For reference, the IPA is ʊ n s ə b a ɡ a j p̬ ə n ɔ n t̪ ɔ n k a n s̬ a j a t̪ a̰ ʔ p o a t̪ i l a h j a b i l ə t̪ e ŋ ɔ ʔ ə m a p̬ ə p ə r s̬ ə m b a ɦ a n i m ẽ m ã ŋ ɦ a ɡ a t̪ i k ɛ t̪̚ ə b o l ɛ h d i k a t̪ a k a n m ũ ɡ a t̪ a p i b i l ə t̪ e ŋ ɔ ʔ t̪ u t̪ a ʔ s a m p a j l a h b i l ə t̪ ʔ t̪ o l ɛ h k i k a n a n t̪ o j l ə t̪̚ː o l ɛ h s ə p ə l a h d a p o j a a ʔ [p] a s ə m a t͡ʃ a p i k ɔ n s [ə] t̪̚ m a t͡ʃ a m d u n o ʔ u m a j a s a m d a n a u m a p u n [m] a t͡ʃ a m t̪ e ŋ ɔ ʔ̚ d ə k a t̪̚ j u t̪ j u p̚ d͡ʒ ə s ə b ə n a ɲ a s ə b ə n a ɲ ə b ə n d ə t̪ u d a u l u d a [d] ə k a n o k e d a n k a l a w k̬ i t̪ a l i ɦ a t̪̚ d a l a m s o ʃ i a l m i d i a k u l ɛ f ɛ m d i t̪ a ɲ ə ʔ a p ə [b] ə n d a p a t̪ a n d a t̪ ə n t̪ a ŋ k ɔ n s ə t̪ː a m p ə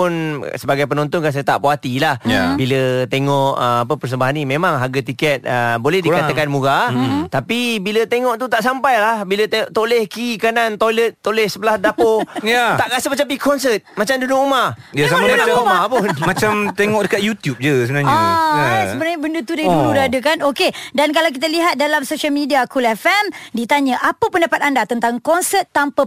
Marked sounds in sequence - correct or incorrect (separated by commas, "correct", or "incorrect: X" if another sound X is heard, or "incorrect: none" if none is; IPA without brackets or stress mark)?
incorrect: k, correct, correct, correct, incorrect: p